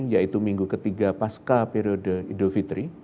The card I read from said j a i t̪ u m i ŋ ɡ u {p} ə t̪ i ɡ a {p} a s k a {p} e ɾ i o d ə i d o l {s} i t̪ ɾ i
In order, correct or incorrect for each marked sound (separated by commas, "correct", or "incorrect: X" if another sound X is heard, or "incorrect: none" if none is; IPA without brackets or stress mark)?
incorrect: k, correct, correct, incorrect: f